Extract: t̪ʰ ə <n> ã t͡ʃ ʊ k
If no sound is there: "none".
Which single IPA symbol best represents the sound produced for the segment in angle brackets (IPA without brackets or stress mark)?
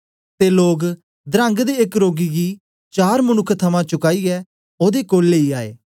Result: m